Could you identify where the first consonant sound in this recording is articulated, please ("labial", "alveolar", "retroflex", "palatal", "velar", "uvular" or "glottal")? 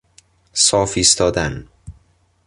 alveolar